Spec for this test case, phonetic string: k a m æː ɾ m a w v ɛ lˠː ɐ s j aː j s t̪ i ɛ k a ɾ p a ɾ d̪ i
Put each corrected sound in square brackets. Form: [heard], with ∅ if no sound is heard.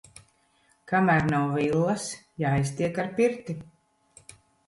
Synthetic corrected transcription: k a m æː ɾ [n] a w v [i] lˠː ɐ s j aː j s t̪ i ɛ k a ɾ p [i] ɾ [t̪] i